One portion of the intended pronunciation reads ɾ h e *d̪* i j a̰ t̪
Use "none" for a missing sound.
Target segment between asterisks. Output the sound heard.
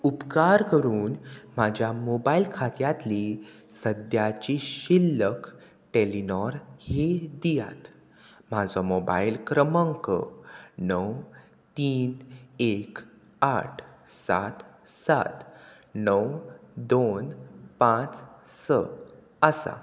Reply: d̪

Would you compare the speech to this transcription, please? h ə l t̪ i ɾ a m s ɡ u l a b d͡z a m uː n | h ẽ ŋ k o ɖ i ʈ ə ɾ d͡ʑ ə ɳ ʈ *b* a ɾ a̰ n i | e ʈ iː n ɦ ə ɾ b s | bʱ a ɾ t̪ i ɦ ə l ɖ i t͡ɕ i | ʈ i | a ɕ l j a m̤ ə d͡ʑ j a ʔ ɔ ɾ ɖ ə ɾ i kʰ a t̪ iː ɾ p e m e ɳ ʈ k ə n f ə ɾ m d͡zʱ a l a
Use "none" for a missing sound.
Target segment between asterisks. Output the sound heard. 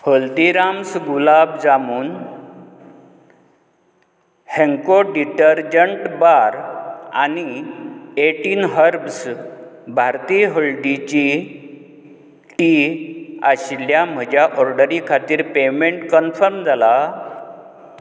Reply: b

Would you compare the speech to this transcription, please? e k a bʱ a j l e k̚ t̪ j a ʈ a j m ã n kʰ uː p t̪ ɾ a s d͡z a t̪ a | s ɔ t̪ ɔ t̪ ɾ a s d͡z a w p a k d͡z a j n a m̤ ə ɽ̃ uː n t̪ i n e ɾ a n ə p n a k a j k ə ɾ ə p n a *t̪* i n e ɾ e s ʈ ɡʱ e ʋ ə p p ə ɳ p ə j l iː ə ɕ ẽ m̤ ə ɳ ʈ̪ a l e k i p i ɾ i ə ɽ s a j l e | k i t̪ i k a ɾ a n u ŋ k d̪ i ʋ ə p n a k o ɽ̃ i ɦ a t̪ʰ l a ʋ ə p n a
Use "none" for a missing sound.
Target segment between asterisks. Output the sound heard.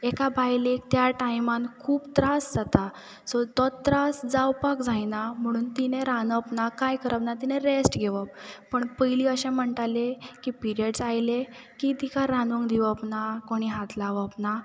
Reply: t̪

